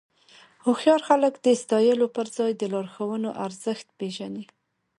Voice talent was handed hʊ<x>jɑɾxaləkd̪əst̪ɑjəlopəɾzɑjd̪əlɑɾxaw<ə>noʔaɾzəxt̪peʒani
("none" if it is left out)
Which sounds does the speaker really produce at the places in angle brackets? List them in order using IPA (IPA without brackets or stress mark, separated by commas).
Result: x, ə